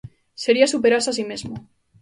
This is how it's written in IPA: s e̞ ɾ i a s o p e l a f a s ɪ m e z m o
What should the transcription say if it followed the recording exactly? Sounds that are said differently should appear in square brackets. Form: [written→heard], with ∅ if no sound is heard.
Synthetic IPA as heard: s e̞ ɾ i a s [o→u] p e [l→ɾ] a [f→s] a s [ɪ→i] m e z m o